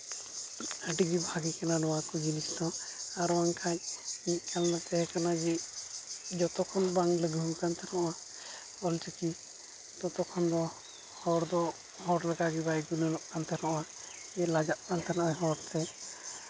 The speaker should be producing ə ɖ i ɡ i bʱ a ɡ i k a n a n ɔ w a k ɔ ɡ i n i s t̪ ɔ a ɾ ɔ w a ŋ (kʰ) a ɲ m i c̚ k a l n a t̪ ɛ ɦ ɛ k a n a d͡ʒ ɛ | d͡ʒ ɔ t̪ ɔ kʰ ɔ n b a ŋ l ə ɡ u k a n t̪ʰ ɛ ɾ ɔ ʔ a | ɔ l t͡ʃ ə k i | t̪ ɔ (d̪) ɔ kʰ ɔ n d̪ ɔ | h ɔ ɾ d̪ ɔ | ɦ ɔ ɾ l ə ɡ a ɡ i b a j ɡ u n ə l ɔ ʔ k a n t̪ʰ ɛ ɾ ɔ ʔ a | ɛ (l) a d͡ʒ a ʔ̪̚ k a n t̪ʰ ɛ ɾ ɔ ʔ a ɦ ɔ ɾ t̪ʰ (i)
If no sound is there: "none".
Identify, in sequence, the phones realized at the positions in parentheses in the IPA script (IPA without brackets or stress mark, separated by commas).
kʰ, t̪, l, ɛ